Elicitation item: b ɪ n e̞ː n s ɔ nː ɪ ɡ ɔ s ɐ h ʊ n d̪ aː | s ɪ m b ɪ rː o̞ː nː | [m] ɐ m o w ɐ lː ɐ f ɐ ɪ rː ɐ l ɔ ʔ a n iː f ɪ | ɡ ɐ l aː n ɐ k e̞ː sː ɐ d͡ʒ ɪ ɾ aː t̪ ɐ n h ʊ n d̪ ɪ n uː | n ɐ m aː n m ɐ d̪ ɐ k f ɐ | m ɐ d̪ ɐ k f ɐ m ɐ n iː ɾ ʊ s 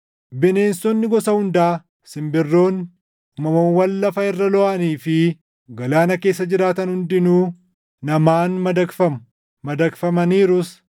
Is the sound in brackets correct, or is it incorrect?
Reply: correct